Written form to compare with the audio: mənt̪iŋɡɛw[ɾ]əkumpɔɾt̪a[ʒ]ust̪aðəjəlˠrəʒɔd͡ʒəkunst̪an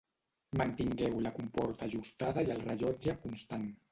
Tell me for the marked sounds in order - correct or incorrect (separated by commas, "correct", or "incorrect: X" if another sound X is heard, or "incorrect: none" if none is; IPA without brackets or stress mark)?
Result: incorrect: l, correct